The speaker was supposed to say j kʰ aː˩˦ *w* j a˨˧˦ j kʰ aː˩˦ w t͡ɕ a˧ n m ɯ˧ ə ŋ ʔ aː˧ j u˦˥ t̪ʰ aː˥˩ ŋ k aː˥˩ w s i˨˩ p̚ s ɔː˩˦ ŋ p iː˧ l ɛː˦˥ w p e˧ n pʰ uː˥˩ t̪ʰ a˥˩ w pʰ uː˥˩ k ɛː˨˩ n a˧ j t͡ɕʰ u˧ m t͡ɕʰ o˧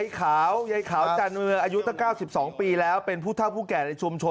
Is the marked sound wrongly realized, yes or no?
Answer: no